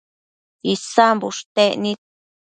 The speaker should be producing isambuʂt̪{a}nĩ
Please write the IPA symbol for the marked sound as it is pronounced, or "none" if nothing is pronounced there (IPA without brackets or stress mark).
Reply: e